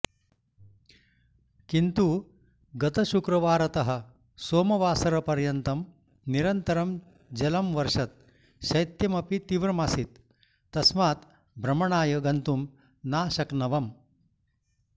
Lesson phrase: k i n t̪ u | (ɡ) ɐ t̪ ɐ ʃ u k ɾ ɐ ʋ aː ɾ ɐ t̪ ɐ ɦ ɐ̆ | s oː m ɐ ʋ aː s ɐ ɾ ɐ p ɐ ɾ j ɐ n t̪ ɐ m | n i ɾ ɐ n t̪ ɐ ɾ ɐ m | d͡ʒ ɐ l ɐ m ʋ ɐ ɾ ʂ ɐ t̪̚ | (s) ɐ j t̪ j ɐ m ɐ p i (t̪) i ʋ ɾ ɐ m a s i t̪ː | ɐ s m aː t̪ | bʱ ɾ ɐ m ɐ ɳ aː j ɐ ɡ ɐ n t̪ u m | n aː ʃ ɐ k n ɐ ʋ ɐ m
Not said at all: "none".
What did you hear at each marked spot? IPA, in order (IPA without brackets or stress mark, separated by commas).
ɡ, ʃ, t̪